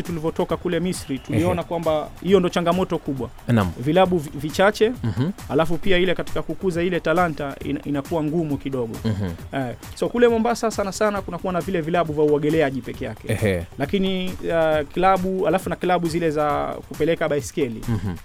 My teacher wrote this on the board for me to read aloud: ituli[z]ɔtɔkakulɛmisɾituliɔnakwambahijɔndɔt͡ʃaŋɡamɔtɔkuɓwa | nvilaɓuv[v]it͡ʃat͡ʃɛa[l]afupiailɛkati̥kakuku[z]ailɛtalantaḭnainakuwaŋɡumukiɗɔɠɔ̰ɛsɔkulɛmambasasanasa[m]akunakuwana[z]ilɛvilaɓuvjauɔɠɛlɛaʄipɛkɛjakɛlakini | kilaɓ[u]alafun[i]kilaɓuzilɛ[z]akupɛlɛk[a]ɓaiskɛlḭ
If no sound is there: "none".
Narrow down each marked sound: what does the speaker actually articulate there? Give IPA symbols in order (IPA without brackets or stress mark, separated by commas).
v, v, l, z, n, v, u, a, z, a